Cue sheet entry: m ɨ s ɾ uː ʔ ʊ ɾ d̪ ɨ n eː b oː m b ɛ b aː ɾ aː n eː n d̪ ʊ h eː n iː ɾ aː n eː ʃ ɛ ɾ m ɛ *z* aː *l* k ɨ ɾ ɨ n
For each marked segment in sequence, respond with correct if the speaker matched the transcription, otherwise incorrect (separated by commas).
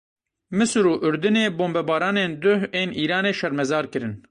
correct, incorrect